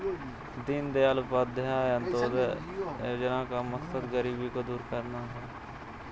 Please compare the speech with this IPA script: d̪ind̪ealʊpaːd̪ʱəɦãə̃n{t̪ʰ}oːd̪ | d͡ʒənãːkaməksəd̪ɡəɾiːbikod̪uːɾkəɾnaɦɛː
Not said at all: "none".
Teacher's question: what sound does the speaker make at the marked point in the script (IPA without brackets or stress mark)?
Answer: t̪